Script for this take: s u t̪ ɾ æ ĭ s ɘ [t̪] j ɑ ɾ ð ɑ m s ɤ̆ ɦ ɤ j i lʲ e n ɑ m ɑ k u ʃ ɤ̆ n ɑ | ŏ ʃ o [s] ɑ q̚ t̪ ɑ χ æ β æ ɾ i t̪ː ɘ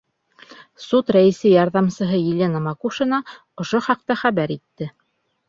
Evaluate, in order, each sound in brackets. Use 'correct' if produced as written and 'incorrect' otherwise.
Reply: incorrect: none, incorrect: χ

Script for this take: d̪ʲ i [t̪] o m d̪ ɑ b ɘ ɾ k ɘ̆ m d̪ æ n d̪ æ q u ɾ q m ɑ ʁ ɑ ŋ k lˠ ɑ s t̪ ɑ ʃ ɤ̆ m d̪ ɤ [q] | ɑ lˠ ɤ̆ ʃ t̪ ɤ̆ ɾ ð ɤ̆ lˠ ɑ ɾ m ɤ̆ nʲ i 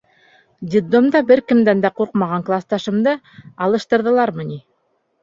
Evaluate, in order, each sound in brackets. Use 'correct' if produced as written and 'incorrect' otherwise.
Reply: incorrect: d̪, incorrect: none

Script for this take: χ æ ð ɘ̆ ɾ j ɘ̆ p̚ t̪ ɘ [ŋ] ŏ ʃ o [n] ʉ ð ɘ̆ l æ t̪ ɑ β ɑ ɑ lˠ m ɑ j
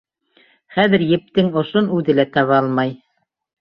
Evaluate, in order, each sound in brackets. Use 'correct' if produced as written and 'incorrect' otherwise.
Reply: correct, correct

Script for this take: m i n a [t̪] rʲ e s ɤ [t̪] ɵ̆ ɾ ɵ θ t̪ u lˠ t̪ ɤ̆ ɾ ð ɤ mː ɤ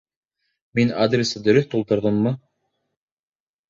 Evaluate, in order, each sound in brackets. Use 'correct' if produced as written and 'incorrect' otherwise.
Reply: incorrect: d̪, incorrect: d̪

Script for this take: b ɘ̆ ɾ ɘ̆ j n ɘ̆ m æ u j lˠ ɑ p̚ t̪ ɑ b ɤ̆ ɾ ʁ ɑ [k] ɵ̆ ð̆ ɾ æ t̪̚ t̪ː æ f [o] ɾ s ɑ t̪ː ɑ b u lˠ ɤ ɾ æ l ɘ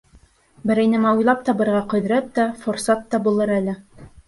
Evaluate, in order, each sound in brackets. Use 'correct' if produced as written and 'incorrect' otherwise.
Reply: incorrect: q, correct

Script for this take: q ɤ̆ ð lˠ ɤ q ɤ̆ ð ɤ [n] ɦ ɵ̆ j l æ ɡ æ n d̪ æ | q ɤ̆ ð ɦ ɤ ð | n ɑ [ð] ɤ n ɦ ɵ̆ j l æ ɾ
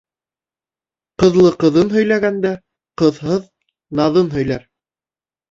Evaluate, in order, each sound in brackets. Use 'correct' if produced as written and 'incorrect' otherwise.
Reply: correct, correct

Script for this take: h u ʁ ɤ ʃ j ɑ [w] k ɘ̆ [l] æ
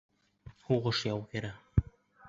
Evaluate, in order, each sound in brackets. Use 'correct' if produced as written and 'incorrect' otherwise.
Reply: correct, incorrect: ɾ

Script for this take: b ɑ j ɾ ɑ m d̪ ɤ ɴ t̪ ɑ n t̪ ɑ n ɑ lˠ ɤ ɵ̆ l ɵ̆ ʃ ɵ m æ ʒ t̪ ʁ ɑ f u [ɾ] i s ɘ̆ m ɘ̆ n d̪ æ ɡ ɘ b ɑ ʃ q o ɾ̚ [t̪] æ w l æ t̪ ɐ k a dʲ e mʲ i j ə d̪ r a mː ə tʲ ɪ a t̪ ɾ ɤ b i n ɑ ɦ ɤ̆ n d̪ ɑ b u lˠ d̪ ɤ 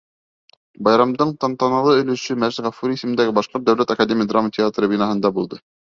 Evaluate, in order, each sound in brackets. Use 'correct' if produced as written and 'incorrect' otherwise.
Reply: correct, incorrect: d̪

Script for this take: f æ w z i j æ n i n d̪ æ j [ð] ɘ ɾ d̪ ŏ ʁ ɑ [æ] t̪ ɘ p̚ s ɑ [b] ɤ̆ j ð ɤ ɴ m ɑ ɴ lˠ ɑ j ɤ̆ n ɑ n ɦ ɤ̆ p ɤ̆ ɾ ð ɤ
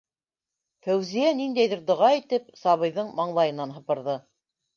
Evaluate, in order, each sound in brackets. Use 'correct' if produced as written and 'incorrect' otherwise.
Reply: correct, incorrect: i, incorrect: β

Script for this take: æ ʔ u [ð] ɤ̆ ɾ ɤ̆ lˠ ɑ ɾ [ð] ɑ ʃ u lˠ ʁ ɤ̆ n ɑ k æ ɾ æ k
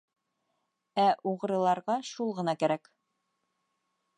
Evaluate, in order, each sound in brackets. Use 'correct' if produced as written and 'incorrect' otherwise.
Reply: incorrect: ʁ, incorrect: ʁ

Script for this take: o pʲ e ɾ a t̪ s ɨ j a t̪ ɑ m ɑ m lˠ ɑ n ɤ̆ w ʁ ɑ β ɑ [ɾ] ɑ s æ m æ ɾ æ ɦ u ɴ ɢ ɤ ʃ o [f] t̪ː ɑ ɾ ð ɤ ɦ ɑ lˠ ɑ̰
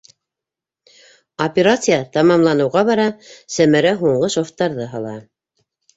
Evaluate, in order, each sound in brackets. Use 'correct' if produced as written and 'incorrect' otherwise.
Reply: correct, correct

